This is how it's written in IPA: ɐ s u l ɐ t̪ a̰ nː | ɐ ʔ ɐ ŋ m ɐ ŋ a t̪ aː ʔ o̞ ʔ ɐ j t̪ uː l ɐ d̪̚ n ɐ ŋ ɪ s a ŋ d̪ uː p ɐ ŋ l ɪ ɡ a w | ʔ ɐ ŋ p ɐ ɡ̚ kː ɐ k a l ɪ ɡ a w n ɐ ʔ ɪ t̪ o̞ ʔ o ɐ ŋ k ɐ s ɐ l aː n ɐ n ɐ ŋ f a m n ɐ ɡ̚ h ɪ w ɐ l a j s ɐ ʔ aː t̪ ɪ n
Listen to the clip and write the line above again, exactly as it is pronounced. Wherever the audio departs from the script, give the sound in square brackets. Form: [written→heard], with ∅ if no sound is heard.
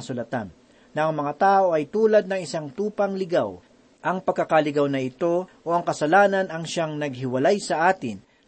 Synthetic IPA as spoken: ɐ s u l ɐ t̪ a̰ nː | ɐ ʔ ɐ ŋ m ɐ ŋ a t̪ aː ʔ o̞ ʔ ɐ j t̪ uː l ɐ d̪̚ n ɐ ŋ ɪ s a ŋ [d̪→t̪] uː p ɐ ŋ l ɪ ɡ a w | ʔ ɐ ŋ p ɐ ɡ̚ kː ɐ k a l ɪ ɡ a w n ɐ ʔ ɪ t̪ o̞ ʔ o ɐ ŋ k ɐ s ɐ l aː n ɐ n ɐ ŋ [f→ʃ] a [m→ŋ] n ɐ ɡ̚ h ɪ w ɐ l a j s ɐ ʔ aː t̪ ɪ n